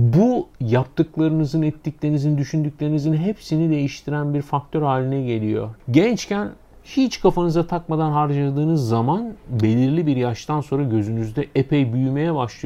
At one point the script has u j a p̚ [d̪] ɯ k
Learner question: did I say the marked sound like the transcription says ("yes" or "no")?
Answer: no